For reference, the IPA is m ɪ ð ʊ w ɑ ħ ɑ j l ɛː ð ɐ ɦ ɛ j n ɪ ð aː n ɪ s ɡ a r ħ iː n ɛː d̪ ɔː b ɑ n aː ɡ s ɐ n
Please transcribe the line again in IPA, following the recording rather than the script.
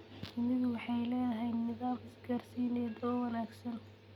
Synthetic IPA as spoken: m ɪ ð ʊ w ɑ ħ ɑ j l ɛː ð ɐ ɦ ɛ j n ɪ ð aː m ɪ s ɡ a r s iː n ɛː d̪ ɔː w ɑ n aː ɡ s ɐ n